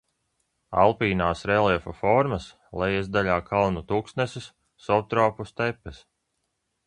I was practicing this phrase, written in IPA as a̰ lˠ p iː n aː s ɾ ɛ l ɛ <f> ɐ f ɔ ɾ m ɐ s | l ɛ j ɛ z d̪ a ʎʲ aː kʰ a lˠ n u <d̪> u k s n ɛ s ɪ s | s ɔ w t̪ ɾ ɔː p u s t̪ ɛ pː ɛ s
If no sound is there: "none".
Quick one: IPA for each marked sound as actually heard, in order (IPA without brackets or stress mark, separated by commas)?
f, t̪